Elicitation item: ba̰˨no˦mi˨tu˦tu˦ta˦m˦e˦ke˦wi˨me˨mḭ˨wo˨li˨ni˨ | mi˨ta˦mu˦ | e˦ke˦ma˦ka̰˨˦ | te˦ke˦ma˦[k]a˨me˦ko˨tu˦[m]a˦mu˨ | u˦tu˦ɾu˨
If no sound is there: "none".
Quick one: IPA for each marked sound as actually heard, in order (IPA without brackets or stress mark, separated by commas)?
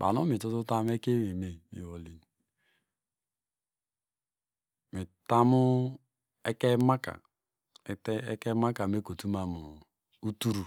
k, m